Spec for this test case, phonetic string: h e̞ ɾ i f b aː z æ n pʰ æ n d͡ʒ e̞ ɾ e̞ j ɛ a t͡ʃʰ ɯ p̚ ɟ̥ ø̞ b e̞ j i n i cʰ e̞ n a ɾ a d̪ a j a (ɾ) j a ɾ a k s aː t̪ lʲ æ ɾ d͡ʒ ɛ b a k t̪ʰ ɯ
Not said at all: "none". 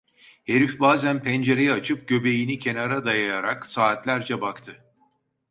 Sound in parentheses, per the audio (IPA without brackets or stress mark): none